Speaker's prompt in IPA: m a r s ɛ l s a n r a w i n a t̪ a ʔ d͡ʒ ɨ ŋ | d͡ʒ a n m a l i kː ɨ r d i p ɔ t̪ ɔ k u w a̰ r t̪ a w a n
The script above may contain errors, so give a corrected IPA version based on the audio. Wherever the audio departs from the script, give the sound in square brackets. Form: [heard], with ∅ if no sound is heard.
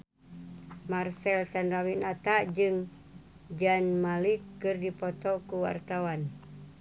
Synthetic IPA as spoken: m a r s ɛ l s a n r a w i n a t̪ a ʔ d͡ʒ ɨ ŋ | d͡ʒ a n m a l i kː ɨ r d i p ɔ t̪ ɔ k u w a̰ r t̪ a w a n